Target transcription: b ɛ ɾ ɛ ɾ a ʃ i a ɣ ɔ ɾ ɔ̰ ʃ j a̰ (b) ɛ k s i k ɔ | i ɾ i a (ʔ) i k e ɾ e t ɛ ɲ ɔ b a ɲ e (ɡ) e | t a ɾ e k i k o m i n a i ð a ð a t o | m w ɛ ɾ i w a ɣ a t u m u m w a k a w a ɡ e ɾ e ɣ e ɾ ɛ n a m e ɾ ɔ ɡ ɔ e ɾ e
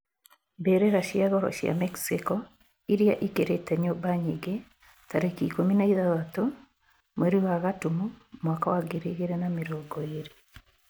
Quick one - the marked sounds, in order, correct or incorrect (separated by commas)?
incorrect, correct, correct